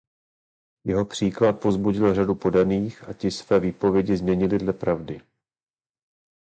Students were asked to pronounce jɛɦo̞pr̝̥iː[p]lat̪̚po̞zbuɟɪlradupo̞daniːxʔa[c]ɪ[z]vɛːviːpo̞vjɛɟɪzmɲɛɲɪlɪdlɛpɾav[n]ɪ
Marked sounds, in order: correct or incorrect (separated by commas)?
incorrect, correct, incorrect, incorrect